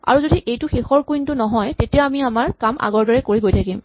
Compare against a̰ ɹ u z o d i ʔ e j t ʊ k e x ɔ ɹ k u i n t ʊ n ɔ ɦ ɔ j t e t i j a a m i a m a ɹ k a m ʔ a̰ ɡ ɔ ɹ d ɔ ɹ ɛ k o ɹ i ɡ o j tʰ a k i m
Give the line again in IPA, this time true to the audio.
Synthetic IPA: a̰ ɹ u z o d i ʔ e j t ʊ x e x ɔ ɹ k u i n t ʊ n ɔ ɦ ɔ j t e t i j a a m i a m a ɹ k a m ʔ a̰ ɡ ɔ ɹ d ɔ ɹ ɛ k o ɹ i ɡ o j tʰ a k i m